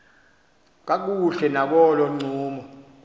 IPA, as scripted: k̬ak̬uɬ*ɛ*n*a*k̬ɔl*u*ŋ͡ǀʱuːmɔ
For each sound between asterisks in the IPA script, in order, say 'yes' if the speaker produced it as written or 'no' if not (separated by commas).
yes, yes, no